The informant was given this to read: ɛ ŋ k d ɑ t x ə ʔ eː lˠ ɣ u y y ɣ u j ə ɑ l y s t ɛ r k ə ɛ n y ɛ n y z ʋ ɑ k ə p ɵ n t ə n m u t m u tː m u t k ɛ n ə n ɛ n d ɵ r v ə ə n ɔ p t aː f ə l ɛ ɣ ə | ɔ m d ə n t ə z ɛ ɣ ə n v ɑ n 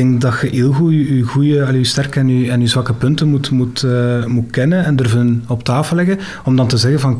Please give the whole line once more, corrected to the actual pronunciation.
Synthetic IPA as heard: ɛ ŋ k d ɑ t x ə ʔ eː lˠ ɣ u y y ɣ u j ə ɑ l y s t ɛ r k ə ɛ n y ɛ n y z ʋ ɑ k ə p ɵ n t ə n m u t m u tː m u t k ɛ n ə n ɛ n d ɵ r v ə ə n ɔ p t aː f ə l ɛ ɣ ə | ɔ m d ɑ n t ə z ɛ ɣ ə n v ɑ n